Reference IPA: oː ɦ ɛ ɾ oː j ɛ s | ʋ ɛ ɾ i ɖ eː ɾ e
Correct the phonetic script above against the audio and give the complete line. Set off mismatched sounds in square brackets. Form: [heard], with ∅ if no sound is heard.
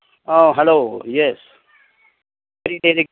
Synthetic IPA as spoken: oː ɦ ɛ [l] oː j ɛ s | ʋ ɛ ɾ i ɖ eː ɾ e